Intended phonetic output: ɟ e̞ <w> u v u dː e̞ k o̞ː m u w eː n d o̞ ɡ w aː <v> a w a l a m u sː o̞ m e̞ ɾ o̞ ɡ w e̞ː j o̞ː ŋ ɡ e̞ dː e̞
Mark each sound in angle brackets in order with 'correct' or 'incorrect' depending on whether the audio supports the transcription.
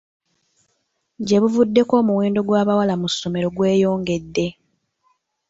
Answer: incorrect: β, incorrect: β

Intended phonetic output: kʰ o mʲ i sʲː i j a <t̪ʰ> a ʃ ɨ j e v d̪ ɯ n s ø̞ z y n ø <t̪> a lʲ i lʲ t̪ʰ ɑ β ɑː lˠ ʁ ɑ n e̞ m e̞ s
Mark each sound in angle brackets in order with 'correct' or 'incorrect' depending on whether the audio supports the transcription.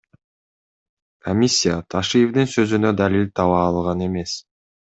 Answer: correct, incorrect: d̪

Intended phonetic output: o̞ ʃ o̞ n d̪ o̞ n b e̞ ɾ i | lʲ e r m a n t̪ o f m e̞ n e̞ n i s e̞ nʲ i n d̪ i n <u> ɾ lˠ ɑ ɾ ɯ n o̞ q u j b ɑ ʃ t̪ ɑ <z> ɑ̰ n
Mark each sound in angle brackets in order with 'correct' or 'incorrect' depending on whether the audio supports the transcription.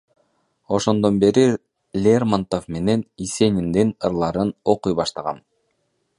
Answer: incorrect: ɯ, incorrect: ʁ

